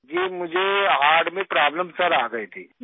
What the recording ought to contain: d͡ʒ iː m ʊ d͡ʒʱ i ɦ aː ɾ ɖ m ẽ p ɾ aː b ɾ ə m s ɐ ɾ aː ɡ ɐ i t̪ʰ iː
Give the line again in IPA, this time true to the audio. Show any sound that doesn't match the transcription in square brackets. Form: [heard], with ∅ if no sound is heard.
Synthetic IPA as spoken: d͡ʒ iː m ʊ d͡ʒʱ [e] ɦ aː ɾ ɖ m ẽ p ɾ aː b [l] ə m s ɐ ɾ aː ɡ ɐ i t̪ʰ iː

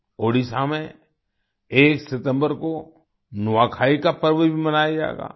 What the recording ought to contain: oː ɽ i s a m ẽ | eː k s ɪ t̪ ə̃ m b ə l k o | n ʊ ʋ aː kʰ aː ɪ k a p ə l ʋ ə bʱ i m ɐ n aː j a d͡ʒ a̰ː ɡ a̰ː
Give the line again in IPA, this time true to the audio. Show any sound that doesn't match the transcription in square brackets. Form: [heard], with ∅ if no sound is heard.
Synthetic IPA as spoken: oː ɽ i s a m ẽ | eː k s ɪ t̪ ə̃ m b ə [ɾ] k o | n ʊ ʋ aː kʰ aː [i] k a p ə [ɾ] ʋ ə bʱ i m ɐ n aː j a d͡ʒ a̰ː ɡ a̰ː

